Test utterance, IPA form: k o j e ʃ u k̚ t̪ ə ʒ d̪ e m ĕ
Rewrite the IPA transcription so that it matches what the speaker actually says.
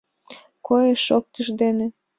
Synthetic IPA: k o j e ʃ o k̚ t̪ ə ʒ d̪ e n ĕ